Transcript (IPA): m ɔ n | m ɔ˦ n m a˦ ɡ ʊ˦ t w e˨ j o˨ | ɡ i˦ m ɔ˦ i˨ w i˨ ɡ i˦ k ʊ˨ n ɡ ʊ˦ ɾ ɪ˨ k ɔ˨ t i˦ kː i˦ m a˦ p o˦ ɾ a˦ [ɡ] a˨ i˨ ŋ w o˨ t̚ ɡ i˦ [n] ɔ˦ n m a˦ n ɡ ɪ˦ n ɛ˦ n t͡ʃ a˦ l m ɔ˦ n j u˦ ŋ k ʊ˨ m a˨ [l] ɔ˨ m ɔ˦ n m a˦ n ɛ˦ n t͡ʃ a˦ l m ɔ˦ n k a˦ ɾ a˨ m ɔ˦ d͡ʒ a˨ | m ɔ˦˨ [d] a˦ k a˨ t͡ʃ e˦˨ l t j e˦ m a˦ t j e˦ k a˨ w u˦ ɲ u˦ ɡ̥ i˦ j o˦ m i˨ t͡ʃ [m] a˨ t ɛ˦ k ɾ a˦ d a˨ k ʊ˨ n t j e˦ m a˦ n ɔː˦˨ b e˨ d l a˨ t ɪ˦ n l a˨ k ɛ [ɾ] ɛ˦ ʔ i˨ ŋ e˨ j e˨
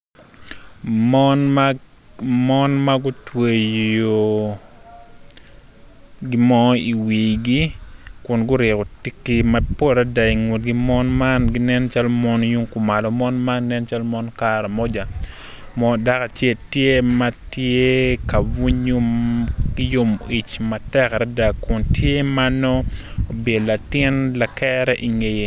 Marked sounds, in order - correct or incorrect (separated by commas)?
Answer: incorrect, incorrect, correct, correct, correct, correct